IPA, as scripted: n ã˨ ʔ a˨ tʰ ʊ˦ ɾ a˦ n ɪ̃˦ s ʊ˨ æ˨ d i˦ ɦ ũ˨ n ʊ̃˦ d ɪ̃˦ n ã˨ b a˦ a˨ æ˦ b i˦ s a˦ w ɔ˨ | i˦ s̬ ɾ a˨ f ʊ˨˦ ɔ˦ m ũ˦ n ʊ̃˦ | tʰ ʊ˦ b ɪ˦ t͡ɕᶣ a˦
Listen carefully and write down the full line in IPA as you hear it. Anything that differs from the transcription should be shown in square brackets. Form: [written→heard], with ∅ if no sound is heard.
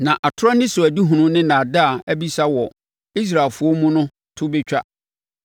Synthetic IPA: n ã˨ ʔ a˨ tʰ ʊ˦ ɾ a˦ n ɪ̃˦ s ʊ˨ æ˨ d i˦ ɦ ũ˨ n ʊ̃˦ [d→n] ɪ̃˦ n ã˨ [b→d] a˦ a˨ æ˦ b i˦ s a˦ w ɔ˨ | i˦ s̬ ɾ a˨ f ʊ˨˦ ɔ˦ m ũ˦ n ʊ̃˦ | tʰ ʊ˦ b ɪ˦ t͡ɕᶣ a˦